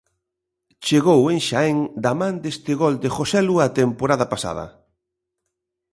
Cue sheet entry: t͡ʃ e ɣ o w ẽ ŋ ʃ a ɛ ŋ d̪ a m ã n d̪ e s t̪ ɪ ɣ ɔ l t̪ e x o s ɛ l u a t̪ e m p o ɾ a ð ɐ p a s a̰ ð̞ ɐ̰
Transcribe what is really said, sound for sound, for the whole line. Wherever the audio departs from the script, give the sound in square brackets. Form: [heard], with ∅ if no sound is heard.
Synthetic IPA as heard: t͡ʃ e ɣ o w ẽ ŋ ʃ a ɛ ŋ d̪ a m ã n d̪ e s t̪ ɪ ɣ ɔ l [d̪] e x o s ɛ l u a t̪ e m p o ɾ a ð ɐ p a s a̰ ð̞ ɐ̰